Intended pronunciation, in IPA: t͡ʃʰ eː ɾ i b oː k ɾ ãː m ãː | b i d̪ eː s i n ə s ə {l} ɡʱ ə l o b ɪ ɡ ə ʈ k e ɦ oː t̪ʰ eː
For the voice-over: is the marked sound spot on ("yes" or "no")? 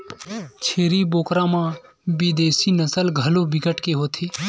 yes